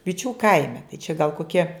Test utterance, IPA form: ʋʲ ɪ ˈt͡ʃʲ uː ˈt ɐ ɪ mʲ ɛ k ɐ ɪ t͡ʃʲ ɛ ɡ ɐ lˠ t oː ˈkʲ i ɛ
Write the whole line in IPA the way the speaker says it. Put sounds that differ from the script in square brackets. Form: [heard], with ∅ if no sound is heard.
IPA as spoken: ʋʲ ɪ ˈt͡ʃʲ uː [ˈk] ɐ ɪ mʲ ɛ [t] ɐ ɪ t͡ʃʲ ɛ ɡ ɐ lˠ [k] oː ˈkʲ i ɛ

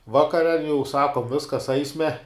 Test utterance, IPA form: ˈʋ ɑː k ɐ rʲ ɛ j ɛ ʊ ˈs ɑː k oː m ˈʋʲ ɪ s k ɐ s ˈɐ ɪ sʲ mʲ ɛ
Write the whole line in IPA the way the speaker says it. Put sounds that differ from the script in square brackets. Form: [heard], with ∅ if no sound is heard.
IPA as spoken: ˈʋ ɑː k ɐ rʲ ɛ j ɛ ʊ ˈs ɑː k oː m ˈʋʲ ɪ s k ɐ s ˈɐ ɪ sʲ mʲ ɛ

